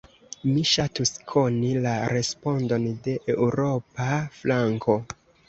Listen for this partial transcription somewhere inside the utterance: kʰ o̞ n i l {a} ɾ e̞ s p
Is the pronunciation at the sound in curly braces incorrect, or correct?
correct